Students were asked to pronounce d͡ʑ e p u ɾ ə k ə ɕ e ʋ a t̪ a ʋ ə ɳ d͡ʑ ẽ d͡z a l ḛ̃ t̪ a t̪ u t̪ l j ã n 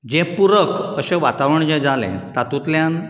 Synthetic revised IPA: d͡ʑ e p u ɾ ə k ə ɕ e ʋ a t̪ a ʋ ə ɳ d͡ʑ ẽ d͡z a l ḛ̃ t̪ a t̪ u t̪ l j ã n